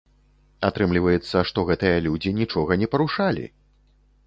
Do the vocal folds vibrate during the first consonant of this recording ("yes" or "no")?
no